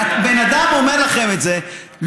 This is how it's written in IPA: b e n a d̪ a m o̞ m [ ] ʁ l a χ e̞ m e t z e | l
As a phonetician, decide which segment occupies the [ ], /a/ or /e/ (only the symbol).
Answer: e